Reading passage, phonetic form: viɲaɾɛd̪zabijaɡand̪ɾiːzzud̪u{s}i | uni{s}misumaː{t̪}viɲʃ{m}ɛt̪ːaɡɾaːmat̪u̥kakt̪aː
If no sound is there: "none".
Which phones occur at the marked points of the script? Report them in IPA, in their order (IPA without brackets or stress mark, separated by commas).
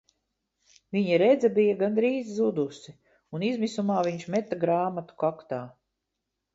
s, z, none, m